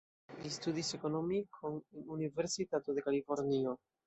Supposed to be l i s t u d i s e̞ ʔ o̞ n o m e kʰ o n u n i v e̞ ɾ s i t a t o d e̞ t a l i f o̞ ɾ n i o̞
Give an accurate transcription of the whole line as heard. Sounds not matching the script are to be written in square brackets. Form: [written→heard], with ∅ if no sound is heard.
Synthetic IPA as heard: l i s t u d i s e̞ [ʔ→k] o̞ n o m [e→i] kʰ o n u n i v e̞ ɾ s i t a t o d e̞ [t→k] a l i f o̞ ɾ n i o̞